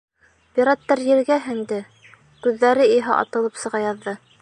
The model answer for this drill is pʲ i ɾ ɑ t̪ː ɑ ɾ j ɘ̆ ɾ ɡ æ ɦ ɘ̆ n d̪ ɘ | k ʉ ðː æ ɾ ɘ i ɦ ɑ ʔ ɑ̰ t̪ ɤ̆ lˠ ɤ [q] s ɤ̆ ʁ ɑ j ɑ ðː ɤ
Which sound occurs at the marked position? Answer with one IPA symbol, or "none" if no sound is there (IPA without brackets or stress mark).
p